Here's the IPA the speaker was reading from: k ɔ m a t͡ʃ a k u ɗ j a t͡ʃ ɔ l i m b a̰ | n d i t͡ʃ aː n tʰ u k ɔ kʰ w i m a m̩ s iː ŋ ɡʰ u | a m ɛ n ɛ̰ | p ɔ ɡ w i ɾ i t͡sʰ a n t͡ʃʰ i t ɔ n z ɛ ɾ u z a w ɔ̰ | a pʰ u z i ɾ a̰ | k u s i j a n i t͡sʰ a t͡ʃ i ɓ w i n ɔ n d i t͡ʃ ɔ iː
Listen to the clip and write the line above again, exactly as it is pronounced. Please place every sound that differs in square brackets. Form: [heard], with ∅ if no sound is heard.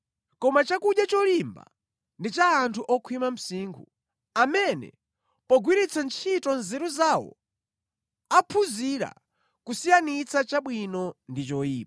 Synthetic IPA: k ɔ m a t͡ʃ a k u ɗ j a t͡ʃ ɔ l i m b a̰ | n d i t͡ʃ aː n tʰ u [ʔ] ɔ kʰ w i m a m̩ s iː ŋ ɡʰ u | a m ɛ n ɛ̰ | p ɔ ɡ w i ɾ i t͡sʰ a n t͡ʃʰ i t ɔ n z ɛ ɾ u z a w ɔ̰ | a pʰ u z i ɾ a̰ | k u s i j a n i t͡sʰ a t͡ʃ [a] ɓ w i n ɔ n d i t͡ʃ ɔ iː

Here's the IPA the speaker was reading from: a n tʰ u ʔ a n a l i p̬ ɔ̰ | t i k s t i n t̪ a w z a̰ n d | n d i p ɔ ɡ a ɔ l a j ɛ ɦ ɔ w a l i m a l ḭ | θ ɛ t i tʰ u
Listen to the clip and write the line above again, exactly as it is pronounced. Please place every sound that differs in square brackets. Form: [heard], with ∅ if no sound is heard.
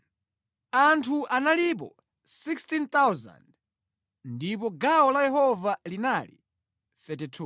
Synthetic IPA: a n tʰ u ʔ a n a l i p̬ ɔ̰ | [s] i k s t i n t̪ a w z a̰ n d | n d i p ɔ ɡ a ɔ l a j ɛ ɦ ɔ [v] a l i [n] a l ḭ | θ ɛ t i tʰ u

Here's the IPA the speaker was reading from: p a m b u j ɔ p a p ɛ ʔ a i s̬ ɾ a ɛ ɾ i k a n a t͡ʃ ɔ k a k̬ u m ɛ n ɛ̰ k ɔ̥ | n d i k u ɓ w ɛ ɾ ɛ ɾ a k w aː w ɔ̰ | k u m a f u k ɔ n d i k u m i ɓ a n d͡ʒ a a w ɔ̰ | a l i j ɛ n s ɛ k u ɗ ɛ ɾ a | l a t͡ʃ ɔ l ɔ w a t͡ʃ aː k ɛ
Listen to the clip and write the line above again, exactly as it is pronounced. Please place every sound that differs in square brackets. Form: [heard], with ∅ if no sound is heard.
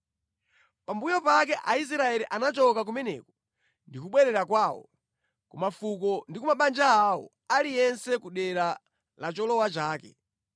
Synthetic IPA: p a m b u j ɔ p a [k] ɛ ʔ a i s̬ ɾ a ɛ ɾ i [ʔ] a n a t͡ʃ ɔ k a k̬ u m ɛ n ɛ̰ k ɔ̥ | n d i k u ɓ w ɛ ɾ ɛ ɾ a k w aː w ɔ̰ | k u m a f u k ɔ n d i k u m [a] ɓ a n d͡ʒ a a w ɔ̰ | a l i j ɛ n s ɛ k u ɗ ɛ ɾ a | l a t͡ʃ ɔ l ɔ w a t͡ʃ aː k ɛ

